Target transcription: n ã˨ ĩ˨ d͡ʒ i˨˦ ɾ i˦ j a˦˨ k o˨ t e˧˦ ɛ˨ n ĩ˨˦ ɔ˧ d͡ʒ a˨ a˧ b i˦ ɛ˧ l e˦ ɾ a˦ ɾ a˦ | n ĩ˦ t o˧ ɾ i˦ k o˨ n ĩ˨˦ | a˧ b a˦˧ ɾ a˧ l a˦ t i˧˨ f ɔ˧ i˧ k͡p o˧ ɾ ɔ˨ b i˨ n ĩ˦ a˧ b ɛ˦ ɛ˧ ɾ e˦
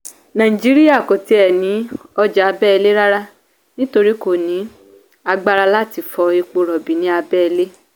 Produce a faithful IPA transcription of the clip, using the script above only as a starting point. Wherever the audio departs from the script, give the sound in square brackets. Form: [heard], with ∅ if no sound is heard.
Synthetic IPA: n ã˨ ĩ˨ d͡ʒ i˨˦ ɾ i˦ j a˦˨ k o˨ t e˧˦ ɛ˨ n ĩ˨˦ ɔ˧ d͡ʒ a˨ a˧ b [ɛ˦] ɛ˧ l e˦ ɾ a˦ ɾ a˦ | n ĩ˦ t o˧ ɾ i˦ k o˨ n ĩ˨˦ | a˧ [ɡ͡b] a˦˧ ɾ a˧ l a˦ t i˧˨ f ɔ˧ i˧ k͡p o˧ ɾ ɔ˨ b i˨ n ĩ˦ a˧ b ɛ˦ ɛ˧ [l] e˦